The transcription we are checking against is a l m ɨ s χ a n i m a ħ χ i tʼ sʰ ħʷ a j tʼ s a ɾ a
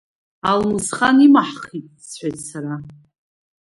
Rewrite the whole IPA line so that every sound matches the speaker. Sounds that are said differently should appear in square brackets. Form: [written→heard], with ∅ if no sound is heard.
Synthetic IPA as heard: a l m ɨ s χ a n i m a ħ χ i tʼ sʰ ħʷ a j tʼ s a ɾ a